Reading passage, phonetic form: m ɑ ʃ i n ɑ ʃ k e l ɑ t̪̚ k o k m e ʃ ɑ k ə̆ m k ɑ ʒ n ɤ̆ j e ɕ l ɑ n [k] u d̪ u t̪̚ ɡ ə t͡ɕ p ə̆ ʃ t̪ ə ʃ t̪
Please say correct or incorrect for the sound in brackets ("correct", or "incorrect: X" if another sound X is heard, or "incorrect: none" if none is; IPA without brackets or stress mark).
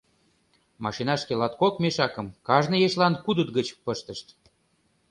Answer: correct